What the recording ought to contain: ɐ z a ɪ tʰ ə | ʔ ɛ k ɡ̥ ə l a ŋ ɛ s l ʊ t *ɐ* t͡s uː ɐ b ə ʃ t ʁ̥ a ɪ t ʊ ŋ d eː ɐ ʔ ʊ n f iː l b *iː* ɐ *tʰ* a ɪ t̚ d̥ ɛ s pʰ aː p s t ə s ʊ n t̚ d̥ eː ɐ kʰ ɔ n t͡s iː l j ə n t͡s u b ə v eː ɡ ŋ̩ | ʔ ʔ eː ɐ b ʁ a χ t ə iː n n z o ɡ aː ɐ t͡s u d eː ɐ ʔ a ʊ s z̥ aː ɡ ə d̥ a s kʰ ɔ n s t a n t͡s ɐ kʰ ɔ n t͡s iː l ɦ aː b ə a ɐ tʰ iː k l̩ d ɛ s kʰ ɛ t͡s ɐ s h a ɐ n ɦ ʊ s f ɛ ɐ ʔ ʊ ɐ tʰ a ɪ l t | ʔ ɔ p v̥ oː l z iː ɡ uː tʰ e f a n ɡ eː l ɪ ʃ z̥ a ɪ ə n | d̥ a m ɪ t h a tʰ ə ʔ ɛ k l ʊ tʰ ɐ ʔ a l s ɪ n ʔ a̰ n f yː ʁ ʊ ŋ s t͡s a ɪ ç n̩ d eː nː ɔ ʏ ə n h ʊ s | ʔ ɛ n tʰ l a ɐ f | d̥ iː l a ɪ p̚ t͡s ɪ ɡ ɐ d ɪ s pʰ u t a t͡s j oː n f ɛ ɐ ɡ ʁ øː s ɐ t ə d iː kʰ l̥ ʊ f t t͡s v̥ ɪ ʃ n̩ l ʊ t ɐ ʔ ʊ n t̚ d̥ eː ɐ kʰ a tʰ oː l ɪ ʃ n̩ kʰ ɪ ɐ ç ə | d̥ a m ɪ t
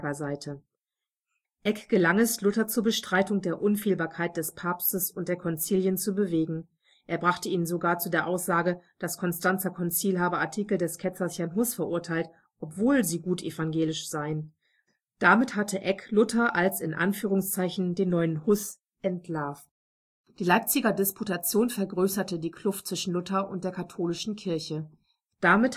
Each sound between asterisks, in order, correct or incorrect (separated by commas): correct, incorrect, incorrect